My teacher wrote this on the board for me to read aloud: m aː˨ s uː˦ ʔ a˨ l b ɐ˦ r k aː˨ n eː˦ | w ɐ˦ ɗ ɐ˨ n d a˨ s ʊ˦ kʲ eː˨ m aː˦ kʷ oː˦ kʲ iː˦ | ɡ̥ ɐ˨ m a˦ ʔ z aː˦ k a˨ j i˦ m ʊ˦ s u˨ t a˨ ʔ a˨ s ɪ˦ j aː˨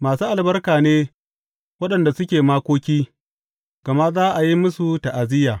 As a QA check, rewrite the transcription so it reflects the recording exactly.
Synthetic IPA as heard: m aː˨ s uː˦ ʔ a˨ l b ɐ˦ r k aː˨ n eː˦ | w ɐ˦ ɗ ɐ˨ n d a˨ s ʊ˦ kʲ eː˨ m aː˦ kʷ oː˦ kʲ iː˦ | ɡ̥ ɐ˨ m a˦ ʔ z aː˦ ʔ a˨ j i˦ m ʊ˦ s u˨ t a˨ ʔ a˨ z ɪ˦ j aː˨